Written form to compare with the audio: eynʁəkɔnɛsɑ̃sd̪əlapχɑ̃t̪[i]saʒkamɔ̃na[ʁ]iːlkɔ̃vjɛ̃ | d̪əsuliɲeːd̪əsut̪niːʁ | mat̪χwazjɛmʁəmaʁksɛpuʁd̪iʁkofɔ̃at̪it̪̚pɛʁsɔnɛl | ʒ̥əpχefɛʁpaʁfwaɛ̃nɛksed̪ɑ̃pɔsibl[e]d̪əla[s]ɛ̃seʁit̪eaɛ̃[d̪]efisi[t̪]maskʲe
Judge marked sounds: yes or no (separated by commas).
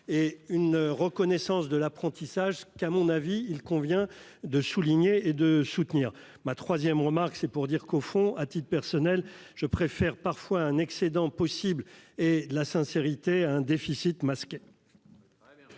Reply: yes, no, yes, yes, yes, yes